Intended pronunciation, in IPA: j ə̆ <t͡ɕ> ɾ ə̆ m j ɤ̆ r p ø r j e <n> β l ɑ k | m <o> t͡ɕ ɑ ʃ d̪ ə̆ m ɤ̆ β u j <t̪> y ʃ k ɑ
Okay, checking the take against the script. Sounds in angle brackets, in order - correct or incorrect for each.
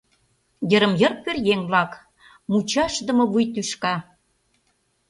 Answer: incorrect: none, incorrect: ŋ, incorrect: u, correct

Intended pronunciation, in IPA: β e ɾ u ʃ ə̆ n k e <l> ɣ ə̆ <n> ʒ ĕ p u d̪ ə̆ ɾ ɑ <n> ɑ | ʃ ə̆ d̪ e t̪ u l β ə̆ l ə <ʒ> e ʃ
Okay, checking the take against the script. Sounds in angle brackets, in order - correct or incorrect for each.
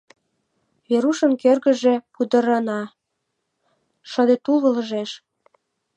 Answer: incorrect: r, incorrect: none, correct, correct

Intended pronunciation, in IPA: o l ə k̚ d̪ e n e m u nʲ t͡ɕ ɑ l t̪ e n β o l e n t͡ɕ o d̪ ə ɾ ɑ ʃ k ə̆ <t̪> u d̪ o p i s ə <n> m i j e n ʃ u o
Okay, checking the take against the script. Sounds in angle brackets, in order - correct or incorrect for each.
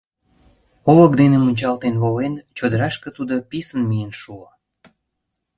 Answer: correct, correct

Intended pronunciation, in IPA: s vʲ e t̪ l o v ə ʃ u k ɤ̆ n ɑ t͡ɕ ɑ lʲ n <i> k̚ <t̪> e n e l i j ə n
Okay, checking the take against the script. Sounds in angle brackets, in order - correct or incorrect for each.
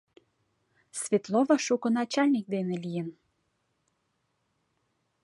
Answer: correct, incorrect: d̪

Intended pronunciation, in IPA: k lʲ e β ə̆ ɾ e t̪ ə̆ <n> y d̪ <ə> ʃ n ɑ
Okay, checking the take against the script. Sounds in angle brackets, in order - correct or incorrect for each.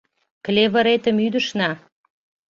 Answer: incorrect: m, correct

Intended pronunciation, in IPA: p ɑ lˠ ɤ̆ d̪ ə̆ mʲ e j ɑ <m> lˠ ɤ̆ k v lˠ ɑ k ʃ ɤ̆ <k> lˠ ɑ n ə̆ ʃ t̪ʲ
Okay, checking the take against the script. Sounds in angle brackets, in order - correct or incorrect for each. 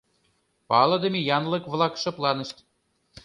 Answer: incorrect: n, incorrect: p

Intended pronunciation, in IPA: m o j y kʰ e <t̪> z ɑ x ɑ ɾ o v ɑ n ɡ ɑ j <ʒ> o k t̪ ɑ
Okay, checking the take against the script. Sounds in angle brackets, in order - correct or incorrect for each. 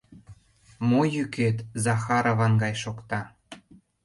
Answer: correct, incorrect: ʃ

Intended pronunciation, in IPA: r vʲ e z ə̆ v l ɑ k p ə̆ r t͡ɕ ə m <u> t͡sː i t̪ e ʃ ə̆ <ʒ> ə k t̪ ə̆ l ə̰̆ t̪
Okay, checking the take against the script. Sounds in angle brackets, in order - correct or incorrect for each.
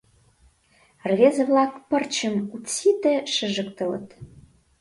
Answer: correct, correct

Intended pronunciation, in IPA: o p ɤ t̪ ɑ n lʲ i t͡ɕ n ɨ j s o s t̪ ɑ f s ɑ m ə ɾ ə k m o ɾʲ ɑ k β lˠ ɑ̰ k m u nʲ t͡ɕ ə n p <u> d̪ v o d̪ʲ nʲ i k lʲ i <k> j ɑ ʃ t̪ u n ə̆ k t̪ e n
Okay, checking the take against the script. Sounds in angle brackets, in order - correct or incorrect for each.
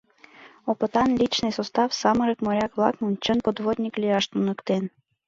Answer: incorrect: o, incorrect: none

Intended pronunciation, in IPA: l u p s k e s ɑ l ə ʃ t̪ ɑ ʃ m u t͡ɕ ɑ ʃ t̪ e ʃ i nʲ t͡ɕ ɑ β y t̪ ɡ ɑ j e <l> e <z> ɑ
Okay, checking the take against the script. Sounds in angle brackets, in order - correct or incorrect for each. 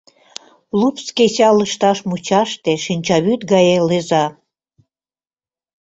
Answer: correct, correct

